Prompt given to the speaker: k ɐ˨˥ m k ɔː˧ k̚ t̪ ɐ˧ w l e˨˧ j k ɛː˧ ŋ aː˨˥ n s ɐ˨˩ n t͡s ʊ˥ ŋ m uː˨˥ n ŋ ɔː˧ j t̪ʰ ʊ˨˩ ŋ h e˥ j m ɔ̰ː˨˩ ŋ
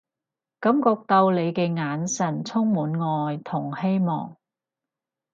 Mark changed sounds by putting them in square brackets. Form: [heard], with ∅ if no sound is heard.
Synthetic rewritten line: k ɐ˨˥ m k ɔː˧ k̚ t̪ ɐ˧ w l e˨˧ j k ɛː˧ ŋ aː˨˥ n s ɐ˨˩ n [t͡sʰ] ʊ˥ ŋ m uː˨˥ n ŋ ɔː˧ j t̪ʰ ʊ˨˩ ŋ h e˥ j m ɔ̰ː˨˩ ŋ